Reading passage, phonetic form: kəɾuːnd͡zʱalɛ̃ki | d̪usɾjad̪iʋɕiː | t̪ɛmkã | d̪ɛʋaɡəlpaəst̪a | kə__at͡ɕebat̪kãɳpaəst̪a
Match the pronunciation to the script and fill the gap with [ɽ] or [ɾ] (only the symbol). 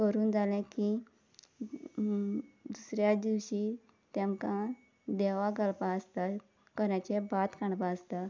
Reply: ɾ